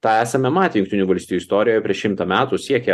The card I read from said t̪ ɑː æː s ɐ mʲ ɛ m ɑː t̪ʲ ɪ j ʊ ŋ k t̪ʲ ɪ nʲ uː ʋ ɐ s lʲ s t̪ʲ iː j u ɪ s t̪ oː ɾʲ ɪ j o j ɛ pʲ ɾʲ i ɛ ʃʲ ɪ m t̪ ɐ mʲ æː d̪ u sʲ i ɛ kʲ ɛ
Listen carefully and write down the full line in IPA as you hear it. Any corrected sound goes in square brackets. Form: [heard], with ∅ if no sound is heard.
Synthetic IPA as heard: t̪ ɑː æː s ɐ mʲ ɛ m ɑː t̪ʲ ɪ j ʊ ŋ k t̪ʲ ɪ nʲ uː ʋ ɐ [∅] lʲ s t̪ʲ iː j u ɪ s t̪ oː ɾʲ ɪ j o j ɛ pʲ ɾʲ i ɛ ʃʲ ɪ m t̪ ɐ mʲ æː [t̪] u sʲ i ɛ kʲ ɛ